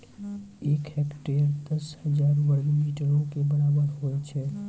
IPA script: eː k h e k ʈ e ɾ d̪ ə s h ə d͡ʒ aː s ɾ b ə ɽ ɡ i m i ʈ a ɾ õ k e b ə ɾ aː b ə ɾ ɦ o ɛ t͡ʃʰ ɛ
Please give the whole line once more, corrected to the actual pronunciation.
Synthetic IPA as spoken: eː k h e k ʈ e ɾ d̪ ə s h ə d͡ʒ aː ɾ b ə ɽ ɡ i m i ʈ ə ɾ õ k e b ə ɾ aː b ə ɾ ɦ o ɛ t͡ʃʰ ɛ